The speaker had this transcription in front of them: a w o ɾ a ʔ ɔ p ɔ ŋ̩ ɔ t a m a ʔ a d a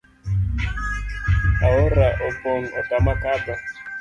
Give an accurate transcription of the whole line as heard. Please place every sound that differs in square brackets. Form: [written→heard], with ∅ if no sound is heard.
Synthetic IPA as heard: a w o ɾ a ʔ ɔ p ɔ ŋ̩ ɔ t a m a [ʔ→k] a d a